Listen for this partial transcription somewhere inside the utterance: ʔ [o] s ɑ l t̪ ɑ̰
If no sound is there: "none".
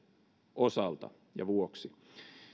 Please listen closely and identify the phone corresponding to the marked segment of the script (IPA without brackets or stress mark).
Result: o